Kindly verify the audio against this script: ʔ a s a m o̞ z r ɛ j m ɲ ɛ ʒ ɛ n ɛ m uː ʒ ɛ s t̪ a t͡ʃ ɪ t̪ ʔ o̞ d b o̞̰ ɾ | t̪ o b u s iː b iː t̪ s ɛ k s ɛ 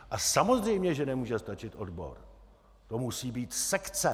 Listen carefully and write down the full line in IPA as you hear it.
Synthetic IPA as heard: ʔ a s a m o̞ z r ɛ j m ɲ ɛ ʒ ɛ n ɛ m uː ʒ ɛ s t̪ a t͡ʃ ɪ t̪ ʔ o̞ d b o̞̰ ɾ | t̪ o m u s iː b iː t̪ s ɛ k t͡s ɛ